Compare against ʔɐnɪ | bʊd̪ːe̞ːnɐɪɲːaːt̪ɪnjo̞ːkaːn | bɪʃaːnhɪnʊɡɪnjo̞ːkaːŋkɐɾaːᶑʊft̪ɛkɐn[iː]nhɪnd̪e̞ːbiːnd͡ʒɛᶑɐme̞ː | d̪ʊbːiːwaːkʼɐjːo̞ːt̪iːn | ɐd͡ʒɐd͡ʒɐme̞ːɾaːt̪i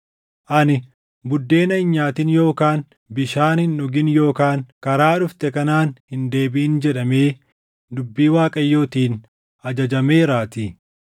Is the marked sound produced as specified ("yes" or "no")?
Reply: no